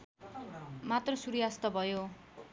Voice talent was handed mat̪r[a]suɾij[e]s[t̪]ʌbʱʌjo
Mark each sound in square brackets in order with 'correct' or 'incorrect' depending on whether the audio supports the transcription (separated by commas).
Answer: incorrect, incorrect, correct